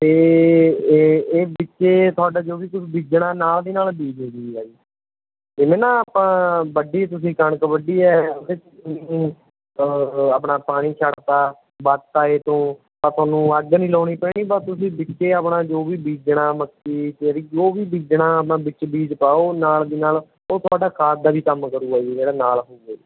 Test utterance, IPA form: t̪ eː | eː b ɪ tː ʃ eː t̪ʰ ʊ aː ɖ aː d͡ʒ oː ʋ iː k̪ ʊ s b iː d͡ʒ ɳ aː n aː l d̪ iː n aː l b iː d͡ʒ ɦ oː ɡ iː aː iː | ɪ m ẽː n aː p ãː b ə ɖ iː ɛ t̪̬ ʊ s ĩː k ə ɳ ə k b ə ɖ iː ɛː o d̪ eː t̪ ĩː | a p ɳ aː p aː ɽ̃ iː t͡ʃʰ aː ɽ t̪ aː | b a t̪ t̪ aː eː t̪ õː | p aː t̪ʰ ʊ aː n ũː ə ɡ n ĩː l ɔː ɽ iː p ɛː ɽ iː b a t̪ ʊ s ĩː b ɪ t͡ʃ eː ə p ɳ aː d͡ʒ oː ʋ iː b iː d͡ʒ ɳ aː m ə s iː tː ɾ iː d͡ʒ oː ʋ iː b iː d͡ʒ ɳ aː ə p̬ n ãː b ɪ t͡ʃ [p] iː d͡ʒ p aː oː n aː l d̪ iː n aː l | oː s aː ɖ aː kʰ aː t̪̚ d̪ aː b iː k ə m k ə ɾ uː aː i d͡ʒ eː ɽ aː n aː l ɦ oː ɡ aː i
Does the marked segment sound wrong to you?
yes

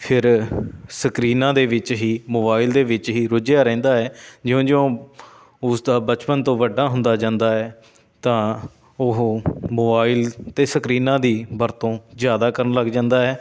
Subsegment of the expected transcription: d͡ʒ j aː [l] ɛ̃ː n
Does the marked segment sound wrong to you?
yes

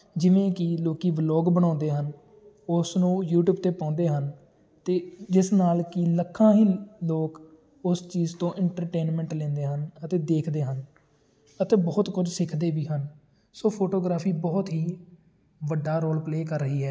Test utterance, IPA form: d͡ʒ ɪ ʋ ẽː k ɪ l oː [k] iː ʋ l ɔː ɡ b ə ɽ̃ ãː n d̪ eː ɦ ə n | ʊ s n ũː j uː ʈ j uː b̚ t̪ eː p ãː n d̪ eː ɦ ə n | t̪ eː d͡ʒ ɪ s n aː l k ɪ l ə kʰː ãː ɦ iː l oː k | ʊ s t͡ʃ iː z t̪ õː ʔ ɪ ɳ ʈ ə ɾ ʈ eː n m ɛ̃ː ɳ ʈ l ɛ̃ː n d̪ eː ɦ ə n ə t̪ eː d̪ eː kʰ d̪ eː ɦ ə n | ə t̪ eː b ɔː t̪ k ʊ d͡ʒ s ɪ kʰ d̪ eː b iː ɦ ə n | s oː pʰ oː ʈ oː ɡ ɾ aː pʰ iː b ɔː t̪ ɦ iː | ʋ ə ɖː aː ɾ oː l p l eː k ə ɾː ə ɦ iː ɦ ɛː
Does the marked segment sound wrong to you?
no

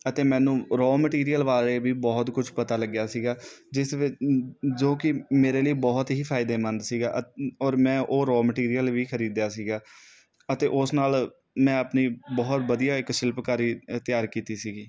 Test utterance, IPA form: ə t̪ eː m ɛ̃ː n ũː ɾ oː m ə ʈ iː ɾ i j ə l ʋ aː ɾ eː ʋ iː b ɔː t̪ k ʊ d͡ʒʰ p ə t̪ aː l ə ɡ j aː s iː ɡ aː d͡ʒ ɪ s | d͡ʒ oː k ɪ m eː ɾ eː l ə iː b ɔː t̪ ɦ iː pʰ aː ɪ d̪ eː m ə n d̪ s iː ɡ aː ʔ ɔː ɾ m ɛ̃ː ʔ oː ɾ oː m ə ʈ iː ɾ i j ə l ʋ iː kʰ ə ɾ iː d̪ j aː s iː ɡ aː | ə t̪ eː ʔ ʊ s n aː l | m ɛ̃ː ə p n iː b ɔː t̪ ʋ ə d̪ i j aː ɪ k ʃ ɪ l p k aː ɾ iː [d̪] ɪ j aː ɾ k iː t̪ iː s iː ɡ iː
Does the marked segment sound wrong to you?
yes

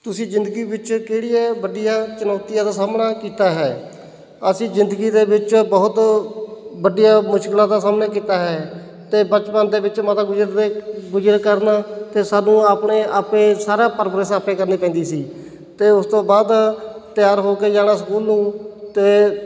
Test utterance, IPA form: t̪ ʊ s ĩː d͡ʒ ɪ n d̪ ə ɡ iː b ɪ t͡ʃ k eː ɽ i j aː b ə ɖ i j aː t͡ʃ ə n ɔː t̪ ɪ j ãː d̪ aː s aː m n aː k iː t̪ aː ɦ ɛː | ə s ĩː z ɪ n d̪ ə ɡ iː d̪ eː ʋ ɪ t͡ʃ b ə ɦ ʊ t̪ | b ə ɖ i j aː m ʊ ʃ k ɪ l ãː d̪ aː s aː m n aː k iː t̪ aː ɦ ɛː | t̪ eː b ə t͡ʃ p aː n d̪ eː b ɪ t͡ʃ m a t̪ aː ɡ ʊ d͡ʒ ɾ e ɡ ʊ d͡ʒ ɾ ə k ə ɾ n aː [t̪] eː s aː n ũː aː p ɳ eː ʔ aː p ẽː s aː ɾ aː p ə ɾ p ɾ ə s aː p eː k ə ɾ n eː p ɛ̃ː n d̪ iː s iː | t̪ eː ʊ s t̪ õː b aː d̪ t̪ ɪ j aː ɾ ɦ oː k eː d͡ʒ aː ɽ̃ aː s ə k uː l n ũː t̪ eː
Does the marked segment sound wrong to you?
no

